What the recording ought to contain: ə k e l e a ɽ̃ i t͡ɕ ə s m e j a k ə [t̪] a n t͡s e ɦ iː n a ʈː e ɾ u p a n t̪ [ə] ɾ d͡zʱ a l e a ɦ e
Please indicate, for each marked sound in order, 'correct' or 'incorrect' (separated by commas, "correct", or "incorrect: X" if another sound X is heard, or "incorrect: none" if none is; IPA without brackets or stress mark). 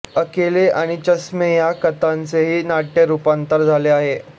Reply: correct, correct